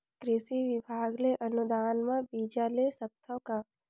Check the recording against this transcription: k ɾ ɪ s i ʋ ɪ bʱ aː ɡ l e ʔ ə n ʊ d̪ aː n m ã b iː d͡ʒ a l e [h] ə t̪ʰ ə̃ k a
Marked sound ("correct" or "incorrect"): incorrect